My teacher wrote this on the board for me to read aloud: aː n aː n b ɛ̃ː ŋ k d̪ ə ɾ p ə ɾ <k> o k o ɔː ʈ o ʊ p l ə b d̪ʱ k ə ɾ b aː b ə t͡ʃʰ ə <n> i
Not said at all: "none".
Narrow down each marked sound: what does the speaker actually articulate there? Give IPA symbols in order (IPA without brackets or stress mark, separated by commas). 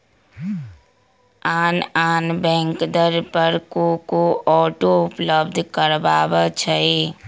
k, none